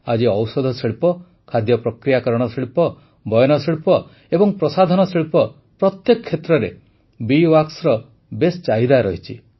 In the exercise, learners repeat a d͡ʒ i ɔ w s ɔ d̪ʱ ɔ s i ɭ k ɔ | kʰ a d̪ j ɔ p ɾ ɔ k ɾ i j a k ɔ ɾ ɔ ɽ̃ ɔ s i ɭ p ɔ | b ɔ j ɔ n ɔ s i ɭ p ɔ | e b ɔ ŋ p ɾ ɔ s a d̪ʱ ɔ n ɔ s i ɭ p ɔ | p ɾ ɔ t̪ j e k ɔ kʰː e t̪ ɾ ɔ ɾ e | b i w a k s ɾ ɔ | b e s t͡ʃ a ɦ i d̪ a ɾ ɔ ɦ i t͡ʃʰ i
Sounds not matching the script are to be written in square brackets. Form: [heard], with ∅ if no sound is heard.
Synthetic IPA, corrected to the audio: a d͡ʒ i ɔ w s ɔ d̪ʱ ɔ s i ɭ [p] ɔ | kʰ a d̪ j ɔ p ɾ ɔ k ɾ i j a k ɔ ɾ ɔ ɽ̃ ɔ s i ɭ p ɔ | b ɔ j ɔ n ɔ s i ɭ p ɔ | e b ɔ ŋ p ɾ ɔ s a d̪ʱ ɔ n ɔ s i ɭ p ɔ | p ɾ ɔ t̪ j e k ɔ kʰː e t̪ ɾ ɔ ɾ e | b i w a k s ɾ ɔ | b e s t͡ʃ a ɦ i d̪ a ɾ ɔ ɦ i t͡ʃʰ i

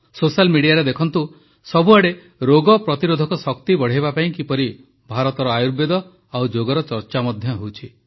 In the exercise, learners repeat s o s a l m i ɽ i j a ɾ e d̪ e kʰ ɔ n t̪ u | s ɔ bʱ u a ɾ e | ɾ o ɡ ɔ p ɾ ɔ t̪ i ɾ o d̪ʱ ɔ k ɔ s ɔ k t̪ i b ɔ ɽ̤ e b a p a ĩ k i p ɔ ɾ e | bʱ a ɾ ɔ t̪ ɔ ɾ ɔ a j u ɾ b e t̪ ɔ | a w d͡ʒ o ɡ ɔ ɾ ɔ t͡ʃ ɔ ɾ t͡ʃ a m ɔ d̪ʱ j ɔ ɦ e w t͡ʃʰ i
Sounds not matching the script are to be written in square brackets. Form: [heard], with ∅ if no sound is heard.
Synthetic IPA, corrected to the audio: s o s a l m i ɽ i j a ɾ e d̪ e kʰ ɔ n t̪ u | s ɔ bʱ u a [ɽ] e | ɾ o ɡ ɔ p ɾ ɔ t̪ i ɾ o d̪ʱ ɔ k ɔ s ɔ k t̪ i b ɔ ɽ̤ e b a p a ĩ k i p ɔ ɾ [i] | bʱ a ɾ ɔ t̪ ɔ ɾ ɔ a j u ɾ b e [d̪] ɔ | a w d͡ʒ o ɡ ɔ ɾ ɔ t͡ʃ ɔ ɾ t͡ʃ a m ɔ d̪ʱ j ɔ ɦ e w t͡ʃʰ i

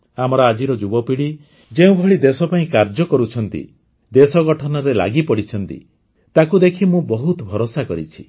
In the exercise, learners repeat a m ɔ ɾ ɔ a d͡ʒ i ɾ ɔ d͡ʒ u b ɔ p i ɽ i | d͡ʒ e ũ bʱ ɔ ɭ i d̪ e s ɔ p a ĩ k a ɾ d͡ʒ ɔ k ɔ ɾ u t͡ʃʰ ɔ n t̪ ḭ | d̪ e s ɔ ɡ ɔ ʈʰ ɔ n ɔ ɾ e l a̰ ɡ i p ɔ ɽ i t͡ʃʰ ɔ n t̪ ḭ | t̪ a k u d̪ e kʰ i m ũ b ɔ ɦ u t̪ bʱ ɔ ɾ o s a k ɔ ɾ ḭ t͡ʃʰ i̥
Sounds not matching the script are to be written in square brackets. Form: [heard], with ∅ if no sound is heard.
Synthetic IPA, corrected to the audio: a m ɔ ɾ ɔ a d͡ʒ i ɾ ɔ d͡ʒ u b ɔ p i ɽ i | d͡ʒ e ũ bʱ ɔ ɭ i d̪ e s ɔ p a ĩ k a ɾ d͡ʒ ɔ k ɔ ɾ u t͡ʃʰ ɔ n t̪ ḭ | d̪ e s ɔ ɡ ɔ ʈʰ ɔ n ɔ ɾ e l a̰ ɡ i p ɔ ɽ i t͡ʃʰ ɔ n t̪ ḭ | t̪ a k u d̪ e kʰ i m ũ b ɔ ɦ u t̪ bʱ ɔ ɾ o s a k ɔ ɾ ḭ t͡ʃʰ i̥

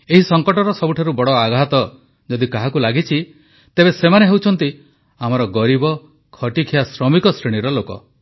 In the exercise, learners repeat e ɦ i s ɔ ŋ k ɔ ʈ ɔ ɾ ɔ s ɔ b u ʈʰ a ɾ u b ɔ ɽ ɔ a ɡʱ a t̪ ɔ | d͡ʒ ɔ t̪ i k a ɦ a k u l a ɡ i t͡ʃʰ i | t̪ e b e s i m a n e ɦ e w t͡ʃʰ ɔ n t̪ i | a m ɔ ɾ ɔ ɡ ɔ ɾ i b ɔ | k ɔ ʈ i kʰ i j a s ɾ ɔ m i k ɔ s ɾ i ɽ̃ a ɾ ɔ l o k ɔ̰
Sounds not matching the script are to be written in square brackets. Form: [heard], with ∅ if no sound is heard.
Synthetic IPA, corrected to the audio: e ɦ i s ɔ ŋ k ɔ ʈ ɔ ɾ ɔ s ɔ b u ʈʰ a ɾ u b ɔ ɽ ɔ a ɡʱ a t̪ ɔ | d͡ʒ ɔ [d̪] i k a ɦ a k u l a ɡ i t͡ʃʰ i | t̪ e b e s [e] m a n e ɦ e w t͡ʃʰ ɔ n t̪ i | a m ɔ ɾ ɔ ɡ ɔ ɾ i b ɔ | [kʰ] ɔ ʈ i kʰ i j a s ɾ ɔ m i k ɔ s ɾ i ɽ̃ [i] ɾ ɔ l o k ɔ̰

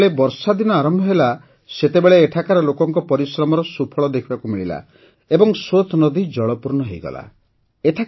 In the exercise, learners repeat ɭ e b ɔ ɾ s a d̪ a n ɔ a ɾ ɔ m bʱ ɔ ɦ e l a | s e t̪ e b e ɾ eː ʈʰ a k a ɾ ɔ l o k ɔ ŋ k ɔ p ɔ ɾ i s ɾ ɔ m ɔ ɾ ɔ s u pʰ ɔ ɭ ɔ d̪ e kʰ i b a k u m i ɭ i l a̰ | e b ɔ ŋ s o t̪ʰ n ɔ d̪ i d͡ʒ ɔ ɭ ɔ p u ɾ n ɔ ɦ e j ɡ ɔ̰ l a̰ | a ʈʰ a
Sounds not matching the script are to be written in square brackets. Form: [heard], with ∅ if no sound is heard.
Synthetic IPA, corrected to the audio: ɭ e b ɔ ɾ s a d̪ [i] n ɔ a ɾ ɔ m bʱ ɔ ɦ e l a | s e t̪ e b e [ɭ] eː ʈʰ a k a ɾ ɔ l o k ɔ ŋ k ɔ p ɔ ɾ i s ɾ ɔ m ɔ ɾ ɔ s u pʰ ɔ ɭ ɔ d̪ e kʰ i b a k u m i ɭ i l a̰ | e b ɔ ŋ s o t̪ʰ n ɔ d̪ i d͡ʒ ɔ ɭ ɔ p u ɾ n ɔ ɦ e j ɡ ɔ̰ l a̰ | [e] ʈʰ a

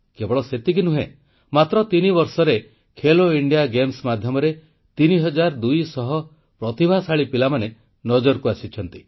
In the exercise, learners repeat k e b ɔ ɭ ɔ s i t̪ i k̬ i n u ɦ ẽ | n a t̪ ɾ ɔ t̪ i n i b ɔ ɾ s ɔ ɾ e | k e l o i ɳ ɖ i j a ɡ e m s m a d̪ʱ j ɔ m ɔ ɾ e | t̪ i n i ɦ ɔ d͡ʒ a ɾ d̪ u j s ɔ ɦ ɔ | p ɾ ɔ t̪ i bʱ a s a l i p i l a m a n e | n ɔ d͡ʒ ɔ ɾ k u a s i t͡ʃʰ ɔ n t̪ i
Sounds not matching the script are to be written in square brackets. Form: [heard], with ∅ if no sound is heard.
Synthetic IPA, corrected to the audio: k e b ɔ ɭ ɔ s [e] t̪ i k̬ i n u ɦ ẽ | [m] a t̪ ɾ ɔ t̪ i n i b ɔ ɾ s ɔ ɾ e | [kʰ] e l o i ɳ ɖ i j a ɡ e m s m a d̪ʱ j ɔ m ɔ ɾ e | t̪ i n i ɦ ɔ d͡ʒ a ɾ d̪ u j s ɔ ɦ ɔ | p ɾ ɔ t̪ i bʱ a s a [ɭ] i p i l a m a n e | n ɔ d͡ʒ ɔ ɾ k u a s i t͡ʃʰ ɔ n t̪ i

